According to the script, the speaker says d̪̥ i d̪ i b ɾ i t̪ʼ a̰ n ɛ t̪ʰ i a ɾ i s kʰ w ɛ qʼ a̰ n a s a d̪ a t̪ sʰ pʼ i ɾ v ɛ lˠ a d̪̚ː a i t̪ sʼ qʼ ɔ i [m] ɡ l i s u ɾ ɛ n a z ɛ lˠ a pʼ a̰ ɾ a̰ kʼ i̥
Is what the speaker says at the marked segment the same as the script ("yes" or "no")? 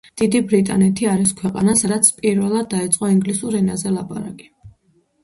no